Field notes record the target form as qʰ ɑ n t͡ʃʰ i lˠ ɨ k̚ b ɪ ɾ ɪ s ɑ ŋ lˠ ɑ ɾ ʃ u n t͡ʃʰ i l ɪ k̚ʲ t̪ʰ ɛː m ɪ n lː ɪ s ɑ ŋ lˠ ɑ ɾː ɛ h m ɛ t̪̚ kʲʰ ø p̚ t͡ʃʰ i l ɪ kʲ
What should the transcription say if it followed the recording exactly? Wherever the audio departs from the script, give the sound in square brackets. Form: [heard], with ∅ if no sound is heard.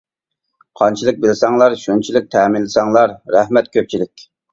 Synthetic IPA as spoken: qʰ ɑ n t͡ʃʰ i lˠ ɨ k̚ b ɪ [l] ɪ s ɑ ŋ lˠ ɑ ɾ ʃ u n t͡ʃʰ i l ɪ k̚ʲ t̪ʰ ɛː m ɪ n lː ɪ s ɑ ŋ lˠ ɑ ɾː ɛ h m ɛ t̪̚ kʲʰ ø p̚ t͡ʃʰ i l ɪ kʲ